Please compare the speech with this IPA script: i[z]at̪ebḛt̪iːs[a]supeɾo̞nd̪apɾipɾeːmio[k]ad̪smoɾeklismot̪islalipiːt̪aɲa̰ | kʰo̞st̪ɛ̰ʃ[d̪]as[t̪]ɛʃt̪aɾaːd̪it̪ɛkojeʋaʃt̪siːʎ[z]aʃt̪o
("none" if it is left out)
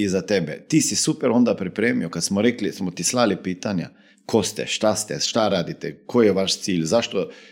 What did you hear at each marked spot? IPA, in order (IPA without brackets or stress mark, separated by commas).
z, i, k, t̪, t̪, z